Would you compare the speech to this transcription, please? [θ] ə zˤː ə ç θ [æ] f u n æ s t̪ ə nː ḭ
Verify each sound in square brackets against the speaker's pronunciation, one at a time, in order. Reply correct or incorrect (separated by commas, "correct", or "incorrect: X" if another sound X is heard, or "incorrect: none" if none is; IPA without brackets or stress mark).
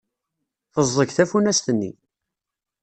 correct, correct